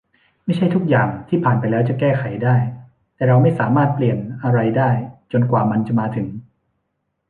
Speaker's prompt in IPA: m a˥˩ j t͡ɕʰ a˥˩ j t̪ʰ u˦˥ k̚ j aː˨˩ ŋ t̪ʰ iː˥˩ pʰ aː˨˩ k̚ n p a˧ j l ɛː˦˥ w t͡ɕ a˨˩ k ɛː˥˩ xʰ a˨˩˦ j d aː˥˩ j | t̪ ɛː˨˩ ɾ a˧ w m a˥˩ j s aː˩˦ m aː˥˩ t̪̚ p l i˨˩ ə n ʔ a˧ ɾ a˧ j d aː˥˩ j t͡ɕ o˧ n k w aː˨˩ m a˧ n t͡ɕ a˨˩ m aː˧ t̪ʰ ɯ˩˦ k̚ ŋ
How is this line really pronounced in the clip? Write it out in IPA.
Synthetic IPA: m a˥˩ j t͡ɕʰ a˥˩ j t̪ʰ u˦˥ k̚ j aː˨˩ ŋ t̪ʰ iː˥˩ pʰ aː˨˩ n p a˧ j l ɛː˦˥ w t͡ɕ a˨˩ k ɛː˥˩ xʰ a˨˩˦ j d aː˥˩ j | t̪ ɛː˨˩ ɾ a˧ w m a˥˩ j s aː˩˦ m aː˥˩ t̪̚ p l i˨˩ ə n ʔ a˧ ɾ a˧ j d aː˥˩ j t͡ɕ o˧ n k w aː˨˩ m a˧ n t͡ɕ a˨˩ m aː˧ t̪ʰ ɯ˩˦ ŋ